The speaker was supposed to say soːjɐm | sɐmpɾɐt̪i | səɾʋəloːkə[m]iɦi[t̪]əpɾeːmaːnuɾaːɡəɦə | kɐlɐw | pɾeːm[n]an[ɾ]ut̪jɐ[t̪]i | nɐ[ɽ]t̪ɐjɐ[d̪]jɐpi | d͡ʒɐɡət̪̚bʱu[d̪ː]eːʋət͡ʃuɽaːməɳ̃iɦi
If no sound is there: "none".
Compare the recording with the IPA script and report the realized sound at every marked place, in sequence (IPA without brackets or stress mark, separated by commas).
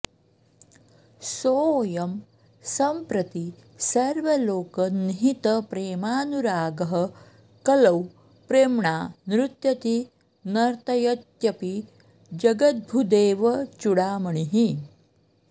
n, t̪, ɳ, ɾ, t̪, ɾ, t̪, d̪